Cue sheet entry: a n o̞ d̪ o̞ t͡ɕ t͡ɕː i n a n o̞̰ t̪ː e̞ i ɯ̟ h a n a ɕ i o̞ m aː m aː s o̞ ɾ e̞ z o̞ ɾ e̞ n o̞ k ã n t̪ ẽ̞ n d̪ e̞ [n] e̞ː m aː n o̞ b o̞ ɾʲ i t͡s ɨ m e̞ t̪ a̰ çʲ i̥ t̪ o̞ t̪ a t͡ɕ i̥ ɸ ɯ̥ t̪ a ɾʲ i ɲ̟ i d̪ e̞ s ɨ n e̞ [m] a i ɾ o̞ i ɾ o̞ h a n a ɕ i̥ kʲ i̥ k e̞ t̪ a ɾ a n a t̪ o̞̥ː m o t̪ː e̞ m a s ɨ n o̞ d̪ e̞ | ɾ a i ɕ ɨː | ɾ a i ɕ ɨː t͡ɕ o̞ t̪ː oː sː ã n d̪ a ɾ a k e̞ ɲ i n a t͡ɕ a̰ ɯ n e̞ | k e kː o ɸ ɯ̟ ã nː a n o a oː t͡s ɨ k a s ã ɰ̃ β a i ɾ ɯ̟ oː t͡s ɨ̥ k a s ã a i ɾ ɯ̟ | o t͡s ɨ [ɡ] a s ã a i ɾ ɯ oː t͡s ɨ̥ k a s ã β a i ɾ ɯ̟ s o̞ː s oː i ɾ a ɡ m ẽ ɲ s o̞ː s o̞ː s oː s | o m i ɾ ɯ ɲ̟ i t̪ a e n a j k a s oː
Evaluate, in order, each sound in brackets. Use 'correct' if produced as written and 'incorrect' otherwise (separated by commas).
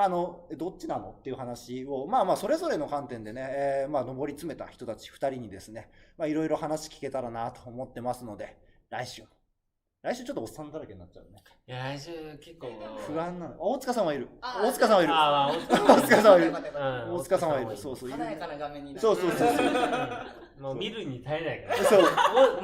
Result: correct, correct, incorrect